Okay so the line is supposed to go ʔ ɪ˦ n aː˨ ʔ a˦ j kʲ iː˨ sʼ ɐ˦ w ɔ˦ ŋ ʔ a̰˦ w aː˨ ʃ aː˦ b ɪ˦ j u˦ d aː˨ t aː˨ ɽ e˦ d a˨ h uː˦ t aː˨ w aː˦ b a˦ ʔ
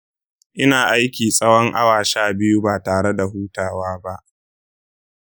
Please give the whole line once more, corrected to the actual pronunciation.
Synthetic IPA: ʔ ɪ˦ n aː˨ ʔ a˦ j kʲ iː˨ sʼ ɐ˦ w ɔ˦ ŋ ʔ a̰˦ w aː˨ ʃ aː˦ b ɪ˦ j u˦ b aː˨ t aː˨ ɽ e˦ d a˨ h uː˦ t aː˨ w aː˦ b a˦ ʔ